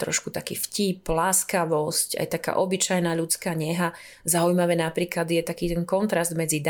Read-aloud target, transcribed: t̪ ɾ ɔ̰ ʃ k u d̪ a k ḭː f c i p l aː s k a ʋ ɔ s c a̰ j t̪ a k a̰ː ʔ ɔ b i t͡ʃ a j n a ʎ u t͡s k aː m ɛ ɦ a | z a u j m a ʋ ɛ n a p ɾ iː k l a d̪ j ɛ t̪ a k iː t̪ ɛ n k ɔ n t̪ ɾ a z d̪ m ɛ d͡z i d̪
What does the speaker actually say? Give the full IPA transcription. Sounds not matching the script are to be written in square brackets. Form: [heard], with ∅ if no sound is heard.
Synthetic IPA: t̪ ɾ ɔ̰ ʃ k u [t̪] a k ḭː f c i p l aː s k a ʋ ɔ s c a̰ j t̪ a k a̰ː ʔ ɔ b i t͡ʃ a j n a ʎ u t͡s k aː [ɲ] ɛ ɦ a | z a u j m a ʋ ɛ n a p ɾ iː k l a d̪ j ɛ t̪ a k iː t̪ ɛ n k ɔ n t̪ ɾ a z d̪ m ɛ d͡z i d̪